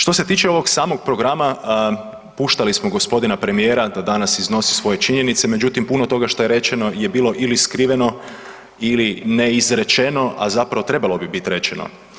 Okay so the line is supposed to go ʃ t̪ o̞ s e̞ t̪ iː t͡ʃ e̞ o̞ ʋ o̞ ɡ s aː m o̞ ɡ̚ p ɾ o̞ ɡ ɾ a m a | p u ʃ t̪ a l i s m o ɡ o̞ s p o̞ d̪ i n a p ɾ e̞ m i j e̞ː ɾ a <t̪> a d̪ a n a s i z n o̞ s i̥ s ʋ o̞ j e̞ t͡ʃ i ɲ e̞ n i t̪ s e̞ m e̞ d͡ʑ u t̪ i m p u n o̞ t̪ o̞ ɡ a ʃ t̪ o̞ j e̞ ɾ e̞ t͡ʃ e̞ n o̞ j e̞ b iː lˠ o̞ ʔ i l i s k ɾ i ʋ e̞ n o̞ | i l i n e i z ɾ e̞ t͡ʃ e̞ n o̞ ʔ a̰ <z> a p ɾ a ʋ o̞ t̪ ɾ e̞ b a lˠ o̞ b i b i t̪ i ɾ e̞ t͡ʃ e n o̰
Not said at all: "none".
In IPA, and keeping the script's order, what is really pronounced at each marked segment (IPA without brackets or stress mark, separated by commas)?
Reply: d̪, z